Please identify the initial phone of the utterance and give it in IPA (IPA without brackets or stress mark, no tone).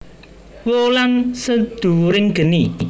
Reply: w